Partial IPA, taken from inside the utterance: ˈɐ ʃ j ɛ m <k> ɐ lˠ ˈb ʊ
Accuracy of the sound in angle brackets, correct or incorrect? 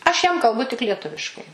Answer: correct